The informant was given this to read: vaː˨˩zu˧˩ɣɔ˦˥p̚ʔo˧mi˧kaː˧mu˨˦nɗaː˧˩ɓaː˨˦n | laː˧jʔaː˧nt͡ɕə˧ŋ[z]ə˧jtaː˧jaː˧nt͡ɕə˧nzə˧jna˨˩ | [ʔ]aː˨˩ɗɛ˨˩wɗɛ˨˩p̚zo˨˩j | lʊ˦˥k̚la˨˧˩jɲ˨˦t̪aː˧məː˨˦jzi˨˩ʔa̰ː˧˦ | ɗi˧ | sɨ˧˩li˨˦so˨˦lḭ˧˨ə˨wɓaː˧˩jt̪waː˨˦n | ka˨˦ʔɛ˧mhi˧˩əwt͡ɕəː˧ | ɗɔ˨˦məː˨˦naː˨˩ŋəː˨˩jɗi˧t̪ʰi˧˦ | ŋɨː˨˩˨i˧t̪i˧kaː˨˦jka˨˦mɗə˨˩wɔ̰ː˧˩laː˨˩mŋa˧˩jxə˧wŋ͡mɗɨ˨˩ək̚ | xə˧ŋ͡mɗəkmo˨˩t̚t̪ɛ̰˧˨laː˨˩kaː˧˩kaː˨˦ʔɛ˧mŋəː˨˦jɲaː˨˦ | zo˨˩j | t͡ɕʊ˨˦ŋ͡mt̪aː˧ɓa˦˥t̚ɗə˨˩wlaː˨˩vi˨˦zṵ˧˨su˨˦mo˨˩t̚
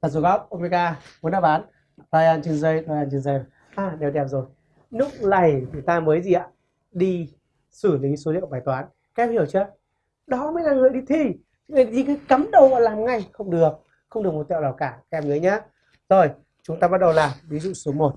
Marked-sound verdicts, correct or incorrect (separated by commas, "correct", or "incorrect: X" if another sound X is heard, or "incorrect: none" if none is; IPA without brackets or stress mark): correct, correct